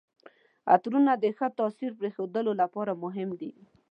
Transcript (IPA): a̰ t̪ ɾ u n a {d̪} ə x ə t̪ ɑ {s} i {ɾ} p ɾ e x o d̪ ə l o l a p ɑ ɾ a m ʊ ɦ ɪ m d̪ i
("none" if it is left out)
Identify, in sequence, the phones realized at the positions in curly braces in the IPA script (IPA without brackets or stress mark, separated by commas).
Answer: d̪, s, ɾ